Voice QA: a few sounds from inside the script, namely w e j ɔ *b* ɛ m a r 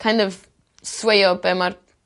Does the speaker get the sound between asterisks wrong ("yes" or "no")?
no